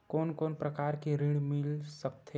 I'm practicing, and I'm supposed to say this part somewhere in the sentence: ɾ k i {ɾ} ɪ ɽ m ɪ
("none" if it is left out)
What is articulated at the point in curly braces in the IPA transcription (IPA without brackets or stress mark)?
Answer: ɾ